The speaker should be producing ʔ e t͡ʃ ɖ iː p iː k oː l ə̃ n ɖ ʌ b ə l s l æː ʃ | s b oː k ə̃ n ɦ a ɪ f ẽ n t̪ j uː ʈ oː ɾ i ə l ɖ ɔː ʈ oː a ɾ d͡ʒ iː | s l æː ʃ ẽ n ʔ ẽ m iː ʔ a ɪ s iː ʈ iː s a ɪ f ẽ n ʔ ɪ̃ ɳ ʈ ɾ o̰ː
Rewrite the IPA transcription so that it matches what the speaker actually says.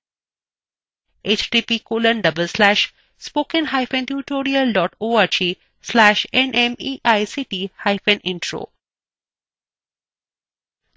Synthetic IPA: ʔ e t͡ʃ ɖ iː p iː k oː l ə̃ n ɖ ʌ b ə l s l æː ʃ | s p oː k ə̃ n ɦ a ɪ f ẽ n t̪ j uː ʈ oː ɾ i ə l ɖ ɔː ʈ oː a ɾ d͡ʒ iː | s l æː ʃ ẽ n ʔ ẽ m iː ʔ a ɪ s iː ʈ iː h a ɪ f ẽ n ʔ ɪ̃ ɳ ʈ ɾ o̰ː